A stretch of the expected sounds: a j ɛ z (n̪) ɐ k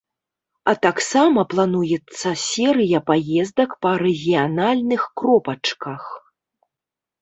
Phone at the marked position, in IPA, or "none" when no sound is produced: d̪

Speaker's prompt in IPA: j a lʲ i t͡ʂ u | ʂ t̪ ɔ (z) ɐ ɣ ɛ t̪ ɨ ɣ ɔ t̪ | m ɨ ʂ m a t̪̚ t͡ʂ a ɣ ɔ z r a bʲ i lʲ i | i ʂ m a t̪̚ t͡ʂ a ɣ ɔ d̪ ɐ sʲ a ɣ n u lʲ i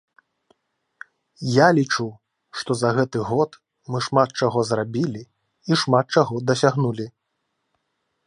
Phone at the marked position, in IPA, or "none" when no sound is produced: z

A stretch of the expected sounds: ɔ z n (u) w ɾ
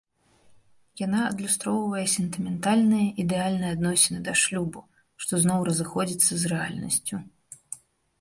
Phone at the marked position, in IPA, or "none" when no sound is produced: ɔ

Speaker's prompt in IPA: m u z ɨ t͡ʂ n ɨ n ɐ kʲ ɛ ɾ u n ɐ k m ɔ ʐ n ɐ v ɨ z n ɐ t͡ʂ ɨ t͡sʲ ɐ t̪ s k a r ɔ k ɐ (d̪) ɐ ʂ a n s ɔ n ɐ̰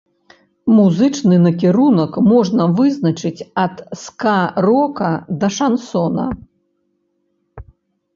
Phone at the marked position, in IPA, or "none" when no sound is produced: d̪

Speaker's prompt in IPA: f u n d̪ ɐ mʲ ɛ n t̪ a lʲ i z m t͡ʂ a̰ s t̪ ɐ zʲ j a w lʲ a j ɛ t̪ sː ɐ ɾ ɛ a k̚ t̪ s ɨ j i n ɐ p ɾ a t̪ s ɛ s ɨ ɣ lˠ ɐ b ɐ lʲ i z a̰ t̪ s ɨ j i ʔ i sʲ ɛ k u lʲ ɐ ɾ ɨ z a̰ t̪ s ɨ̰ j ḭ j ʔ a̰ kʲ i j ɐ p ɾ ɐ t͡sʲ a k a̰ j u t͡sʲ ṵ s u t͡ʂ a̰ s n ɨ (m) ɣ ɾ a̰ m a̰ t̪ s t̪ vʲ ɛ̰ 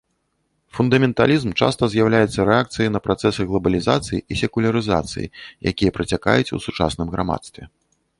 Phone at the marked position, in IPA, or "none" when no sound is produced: m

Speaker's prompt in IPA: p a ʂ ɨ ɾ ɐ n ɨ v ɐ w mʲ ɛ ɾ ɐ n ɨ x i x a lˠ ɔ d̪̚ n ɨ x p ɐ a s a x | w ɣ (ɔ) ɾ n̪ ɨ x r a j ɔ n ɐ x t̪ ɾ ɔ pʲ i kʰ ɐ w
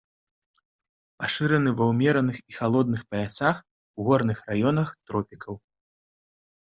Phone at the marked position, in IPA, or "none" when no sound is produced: ɔ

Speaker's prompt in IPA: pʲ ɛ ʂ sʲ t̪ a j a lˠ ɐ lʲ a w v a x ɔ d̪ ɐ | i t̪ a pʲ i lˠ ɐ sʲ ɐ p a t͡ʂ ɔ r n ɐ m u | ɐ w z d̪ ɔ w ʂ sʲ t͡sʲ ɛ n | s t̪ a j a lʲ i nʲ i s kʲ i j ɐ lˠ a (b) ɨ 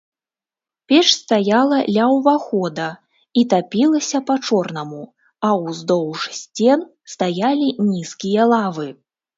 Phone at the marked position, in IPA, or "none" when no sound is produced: v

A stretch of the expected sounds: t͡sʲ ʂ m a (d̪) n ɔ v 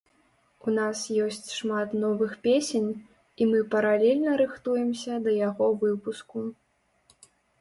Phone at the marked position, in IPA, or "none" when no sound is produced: t̪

